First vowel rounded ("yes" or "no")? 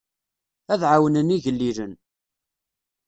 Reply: no